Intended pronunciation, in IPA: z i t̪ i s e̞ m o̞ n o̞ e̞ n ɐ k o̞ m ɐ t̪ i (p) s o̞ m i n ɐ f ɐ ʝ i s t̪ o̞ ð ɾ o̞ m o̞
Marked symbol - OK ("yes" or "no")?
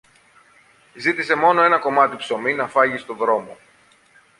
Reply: yes